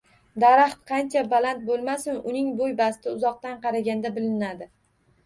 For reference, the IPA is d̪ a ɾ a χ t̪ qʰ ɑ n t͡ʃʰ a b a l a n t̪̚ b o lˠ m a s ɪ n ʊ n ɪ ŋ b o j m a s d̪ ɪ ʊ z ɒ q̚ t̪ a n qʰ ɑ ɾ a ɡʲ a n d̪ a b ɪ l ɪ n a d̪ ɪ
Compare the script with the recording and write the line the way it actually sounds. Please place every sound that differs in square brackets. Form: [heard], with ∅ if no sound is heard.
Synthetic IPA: d̪ a ɾ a χ t̪ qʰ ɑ n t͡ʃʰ a b a l a n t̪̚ b o lˠ m a s ɪ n ʊ n ɪ ŋ b o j [b] a s [t̪] ɪ ʊ z ɒ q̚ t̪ a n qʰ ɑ ɾ a ɡʲ a n d̪ a b ɪ l ɪ n a d̪ ɪ